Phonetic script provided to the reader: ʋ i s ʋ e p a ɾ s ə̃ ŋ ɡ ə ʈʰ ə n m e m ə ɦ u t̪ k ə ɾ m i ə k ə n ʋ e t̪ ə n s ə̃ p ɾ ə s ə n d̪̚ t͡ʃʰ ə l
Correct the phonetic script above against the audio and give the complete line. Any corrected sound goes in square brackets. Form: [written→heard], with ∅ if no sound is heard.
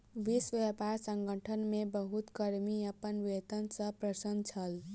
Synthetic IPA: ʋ i s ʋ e p a ɾ s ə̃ ŋ ɡ ə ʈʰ ə n m e [m→b] ə ɦ u t̪ k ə ɾ m i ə [k→p] ə n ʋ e t̪ ə n s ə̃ p ɾ ə s ə n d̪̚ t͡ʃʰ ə l